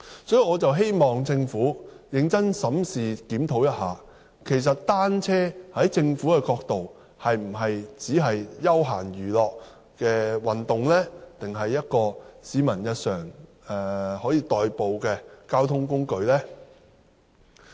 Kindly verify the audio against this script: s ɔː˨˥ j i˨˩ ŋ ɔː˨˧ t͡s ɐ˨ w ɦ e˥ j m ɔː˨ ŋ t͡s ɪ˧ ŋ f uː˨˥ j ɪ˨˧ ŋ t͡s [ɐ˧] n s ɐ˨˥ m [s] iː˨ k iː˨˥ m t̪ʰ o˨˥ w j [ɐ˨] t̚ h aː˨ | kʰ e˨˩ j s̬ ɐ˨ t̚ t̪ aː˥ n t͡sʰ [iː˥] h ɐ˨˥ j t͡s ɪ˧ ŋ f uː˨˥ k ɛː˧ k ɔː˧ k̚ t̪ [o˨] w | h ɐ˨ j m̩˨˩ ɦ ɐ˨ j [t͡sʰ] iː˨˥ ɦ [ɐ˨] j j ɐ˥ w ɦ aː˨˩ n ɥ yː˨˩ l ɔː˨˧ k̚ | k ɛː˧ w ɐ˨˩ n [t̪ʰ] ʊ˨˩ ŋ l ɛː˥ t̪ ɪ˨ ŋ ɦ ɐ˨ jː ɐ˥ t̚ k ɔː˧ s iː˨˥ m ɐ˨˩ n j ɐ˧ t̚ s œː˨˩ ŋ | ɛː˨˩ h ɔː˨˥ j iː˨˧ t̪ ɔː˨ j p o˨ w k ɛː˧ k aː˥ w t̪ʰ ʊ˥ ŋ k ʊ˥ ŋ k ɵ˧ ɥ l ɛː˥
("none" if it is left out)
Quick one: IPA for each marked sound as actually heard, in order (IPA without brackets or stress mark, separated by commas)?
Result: ɐ˥, s, ɐ˥, ɛː˥, o˨, t͡s, ɐ˨, t̪